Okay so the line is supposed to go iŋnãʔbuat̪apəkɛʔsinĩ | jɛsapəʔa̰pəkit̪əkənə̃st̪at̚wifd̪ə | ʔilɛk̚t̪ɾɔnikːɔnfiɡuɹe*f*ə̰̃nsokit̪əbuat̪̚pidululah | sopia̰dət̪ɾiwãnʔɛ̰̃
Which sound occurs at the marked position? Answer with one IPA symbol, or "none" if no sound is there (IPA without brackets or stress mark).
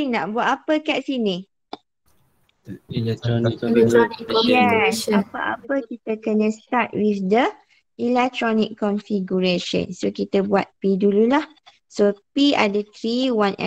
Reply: ʃ